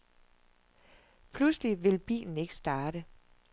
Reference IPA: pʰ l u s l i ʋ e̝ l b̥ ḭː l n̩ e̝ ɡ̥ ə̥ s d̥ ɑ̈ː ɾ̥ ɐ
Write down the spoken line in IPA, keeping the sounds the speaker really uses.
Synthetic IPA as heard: pʰ l u s l i ʋ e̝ l b̥ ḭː l n̩ e̝ ɡ̥ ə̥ s d̥ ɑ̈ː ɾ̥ ə